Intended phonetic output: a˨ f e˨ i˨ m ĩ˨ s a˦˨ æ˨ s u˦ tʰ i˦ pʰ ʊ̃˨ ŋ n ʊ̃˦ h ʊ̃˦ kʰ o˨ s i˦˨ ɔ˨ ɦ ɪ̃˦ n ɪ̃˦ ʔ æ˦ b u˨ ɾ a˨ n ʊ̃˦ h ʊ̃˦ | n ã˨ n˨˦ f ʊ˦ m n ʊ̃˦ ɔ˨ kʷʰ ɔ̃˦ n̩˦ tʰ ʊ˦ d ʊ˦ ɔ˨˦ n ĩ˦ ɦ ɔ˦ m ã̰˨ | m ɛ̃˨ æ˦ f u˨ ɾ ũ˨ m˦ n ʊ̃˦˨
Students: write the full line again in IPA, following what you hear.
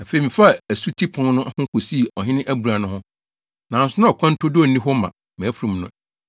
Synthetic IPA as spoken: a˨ f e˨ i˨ m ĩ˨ f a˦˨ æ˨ s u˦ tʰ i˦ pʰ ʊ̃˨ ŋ n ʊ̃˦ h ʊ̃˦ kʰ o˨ s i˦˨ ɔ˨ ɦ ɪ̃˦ n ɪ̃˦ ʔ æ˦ b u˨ ɾ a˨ n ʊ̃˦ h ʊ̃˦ | n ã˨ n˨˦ s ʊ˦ n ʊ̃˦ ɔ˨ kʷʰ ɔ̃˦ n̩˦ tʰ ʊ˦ d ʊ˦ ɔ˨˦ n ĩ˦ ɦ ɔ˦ m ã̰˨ | m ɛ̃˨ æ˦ f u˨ ɾ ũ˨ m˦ n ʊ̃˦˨